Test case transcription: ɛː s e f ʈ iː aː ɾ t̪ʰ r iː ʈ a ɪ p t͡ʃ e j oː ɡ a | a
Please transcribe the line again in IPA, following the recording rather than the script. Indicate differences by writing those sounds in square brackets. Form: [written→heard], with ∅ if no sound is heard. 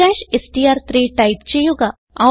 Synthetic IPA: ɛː [s→ʃ] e [f→s] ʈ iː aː ɾ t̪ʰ [r→ɾ] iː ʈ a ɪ p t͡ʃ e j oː ɡ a | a